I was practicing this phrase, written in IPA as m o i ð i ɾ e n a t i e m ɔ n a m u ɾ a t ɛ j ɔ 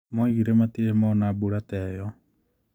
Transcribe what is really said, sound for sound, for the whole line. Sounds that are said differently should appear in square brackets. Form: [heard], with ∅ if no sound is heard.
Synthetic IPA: m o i [ɣ] i ɾ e [m] a t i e m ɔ n a [b] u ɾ a t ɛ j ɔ